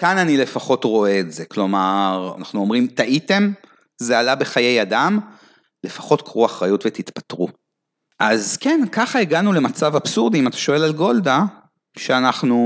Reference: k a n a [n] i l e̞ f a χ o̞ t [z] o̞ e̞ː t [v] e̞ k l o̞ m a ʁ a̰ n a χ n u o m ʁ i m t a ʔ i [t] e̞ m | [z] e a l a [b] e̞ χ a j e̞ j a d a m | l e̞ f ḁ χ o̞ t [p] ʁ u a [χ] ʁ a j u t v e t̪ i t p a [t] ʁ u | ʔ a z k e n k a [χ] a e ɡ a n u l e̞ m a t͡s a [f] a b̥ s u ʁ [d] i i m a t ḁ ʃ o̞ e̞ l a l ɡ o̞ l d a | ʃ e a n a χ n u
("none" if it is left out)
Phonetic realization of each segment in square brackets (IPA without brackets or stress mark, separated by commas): n, ʁ, z, t, z, b, k, χ, t, χ, v, d